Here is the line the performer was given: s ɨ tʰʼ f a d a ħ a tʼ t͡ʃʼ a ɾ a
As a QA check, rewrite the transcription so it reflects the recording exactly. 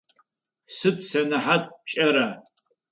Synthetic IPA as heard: s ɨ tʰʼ s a n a ħ a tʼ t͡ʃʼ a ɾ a